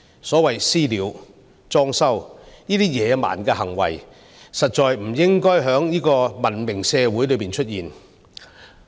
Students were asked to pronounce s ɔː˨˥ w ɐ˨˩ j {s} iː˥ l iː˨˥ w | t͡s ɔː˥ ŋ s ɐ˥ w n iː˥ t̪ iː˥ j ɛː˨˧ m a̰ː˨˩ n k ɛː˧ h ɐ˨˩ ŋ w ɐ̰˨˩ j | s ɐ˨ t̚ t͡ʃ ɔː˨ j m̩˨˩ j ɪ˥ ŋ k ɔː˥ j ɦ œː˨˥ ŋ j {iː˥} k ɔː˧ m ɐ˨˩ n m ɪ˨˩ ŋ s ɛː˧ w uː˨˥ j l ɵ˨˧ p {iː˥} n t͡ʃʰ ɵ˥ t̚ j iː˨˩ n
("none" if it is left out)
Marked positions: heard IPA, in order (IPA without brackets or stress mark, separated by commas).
s, iː˥, iː˨